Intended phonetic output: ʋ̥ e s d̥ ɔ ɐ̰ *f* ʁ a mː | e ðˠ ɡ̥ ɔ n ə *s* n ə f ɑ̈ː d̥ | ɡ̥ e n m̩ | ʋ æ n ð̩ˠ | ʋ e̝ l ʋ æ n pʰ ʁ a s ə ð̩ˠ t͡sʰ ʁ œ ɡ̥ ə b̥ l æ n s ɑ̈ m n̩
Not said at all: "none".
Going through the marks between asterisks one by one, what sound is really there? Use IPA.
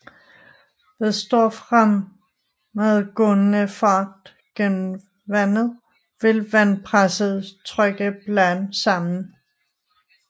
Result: f, none

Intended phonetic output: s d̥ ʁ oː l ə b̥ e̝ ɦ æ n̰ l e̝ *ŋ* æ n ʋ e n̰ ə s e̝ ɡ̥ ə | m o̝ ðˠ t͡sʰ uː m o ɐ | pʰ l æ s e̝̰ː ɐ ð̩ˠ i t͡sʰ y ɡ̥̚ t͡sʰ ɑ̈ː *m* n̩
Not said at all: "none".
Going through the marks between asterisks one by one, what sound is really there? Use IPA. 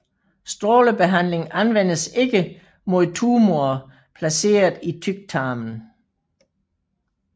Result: ŋ, m

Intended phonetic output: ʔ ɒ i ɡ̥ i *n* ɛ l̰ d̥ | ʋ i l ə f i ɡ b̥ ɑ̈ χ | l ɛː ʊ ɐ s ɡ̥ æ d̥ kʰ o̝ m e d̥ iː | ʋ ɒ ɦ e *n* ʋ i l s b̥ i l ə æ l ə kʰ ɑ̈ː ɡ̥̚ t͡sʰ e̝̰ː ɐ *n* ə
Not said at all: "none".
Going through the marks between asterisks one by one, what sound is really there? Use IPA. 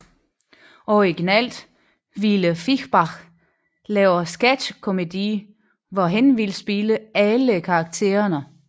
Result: n, n, n

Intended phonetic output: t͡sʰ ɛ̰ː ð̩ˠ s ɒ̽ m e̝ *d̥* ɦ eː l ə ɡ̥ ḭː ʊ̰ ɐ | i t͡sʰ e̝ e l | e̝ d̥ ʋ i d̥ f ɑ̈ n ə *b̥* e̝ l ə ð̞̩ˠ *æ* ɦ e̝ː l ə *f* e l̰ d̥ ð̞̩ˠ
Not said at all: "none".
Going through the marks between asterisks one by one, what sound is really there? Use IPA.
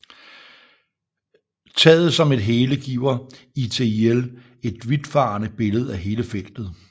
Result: d̥, b̥, æ, f

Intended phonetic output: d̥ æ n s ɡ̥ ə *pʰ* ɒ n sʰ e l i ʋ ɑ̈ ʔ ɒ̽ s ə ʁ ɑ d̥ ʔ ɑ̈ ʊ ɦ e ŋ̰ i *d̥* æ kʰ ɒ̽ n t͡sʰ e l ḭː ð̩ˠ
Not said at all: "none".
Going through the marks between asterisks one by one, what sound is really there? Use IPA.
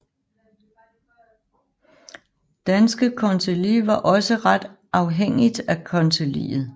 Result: kʰ, d̥

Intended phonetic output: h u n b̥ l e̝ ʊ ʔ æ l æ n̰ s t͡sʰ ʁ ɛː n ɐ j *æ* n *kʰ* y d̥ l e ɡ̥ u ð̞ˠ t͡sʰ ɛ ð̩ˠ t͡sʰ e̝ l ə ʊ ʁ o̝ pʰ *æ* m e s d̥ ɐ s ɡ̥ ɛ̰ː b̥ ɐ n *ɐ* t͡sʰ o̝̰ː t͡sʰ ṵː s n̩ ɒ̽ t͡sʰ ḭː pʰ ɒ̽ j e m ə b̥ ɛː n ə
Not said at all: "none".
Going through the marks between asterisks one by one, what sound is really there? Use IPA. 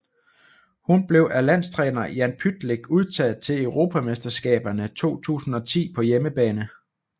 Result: æ, pʰ, æ, ə

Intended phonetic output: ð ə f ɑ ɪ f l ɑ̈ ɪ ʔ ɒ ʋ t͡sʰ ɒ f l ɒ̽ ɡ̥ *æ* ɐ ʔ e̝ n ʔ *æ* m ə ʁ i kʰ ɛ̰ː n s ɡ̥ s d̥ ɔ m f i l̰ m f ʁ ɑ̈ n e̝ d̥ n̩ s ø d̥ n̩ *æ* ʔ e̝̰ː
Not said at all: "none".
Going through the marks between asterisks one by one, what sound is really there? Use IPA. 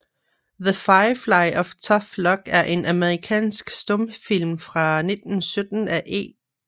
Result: æ, æ, æ

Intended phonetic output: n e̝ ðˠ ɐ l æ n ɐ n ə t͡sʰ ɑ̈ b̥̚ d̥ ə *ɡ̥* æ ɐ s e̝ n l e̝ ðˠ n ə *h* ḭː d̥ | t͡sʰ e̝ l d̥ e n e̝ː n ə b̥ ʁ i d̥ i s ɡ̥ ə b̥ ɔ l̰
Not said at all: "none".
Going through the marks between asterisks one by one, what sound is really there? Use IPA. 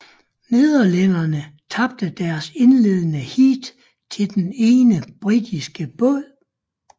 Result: d̥, h

